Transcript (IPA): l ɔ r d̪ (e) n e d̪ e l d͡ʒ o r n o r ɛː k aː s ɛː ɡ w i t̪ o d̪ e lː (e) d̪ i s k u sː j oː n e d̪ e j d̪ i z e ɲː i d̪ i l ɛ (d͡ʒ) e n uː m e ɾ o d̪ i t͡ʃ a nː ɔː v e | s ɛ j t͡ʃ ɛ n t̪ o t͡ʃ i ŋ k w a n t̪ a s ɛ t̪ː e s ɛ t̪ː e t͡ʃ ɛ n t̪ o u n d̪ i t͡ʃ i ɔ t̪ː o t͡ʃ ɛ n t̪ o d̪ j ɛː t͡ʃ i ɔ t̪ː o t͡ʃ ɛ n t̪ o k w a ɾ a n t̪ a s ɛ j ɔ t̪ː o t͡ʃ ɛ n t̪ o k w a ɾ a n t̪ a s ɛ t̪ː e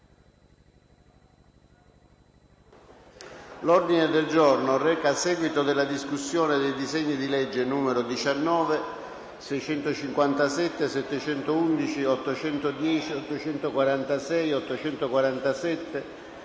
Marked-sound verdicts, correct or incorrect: incorrect: i, incorrect: a, incorrect: d͡ʒː

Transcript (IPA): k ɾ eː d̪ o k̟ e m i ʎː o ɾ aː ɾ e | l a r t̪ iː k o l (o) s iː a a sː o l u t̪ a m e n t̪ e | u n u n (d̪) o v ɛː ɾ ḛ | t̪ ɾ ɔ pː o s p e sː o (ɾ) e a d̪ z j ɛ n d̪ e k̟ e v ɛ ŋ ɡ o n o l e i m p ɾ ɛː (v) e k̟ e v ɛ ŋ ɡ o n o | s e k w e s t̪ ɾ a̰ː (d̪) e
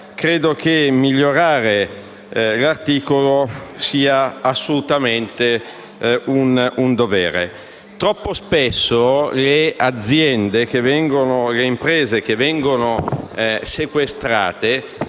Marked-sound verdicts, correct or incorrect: correct, correct, incorrect: l, incorrect: z, incorrect: t̪

